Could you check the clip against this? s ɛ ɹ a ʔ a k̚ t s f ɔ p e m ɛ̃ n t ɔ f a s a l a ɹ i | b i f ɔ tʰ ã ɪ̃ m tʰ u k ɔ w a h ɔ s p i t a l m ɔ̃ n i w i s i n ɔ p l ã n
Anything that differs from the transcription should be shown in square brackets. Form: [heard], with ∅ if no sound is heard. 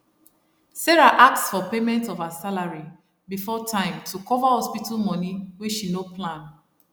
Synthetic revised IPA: s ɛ ɹ a ʔ a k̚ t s f ɔ p e m ɛ̃ n t ɔ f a s a l a ɹ i | b i f ɔ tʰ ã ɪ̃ m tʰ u k ɔ [v] a h ɔ s p i t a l m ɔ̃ n i w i [ʃ] i n [o] p l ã n

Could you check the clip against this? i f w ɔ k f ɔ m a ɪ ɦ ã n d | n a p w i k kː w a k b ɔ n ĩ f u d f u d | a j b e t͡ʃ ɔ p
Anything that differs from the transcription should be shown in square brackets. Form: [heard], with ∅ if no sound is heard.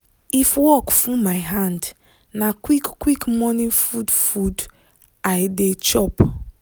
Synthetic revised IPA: i f w ɔ k f [u] m a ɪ ɦ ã n d | n a [k] w i k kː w [i] k [m] ɔ n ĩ f u d f u d | a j [d] e t͡ʃ ɔ p

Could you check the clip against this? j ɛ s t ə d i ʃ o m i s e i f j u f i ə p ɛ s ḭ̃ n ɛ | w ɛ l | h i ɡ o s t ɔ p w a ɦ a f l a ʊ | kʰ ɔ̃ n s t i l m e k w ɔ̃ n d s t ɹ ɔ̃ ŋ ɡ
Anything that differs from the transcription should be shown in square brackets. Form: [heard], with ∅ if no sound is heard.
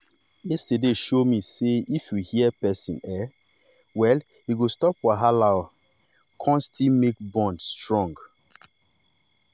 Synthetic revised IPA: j ɛ s t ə d [e] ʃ o m i s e i f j u [h] i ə p ɛ s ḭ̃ n ɛ | w ɛ l | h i ɡ o s t ɔ p w a ɦ a [∅] l a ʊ | kʰ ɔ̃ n s t i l m e k [b] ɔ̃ n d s t ɹ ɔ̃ ŋ ɡ

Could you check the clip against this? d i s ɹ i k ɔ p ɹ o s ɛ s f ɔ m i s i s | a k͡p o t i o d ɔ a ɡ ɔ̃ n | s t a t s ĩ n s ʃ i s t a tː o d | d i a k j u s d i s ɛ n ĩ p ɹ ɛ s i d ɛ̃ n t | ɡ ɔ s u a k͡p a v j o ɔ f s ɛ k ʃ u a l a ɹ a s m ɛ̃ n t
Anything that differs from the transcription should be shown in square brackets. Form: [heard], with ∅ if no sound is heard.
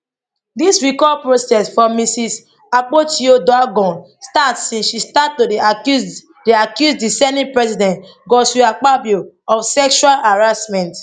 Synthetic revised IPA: d i s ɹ i k ɔ p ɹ o s ɛ s f ɔ m i s i s | a k͡p o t i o d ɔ a ɡ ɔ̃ n | s t a t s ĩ n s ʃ i s t a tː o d | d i a k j u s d i s ɛ n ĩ p ɹ ɛ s i d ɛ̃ n t | ɡ ɔ s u a k͡p a [b] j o ɔ f s ɛ k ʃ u a l a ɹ a s m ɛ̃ n t

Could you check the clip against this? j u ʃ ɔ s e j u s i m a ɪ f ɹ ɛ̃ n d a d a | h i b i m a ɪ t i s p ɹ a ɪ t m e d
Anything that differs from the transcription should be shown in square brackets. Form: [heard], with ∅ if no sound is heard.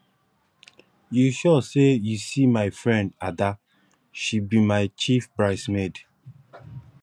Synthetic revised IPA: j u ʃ ɔ s e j u s i m a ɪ f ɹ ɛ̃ n d a d a | [ʃ] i b i m a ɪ [t͡ʃ] i [f] p ɹ a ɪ [s] m e d

